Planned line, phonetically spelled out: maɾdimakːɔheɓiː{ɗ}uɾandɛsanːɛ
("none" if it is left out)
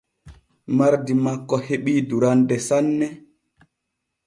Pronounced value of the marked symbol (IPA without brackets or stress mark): d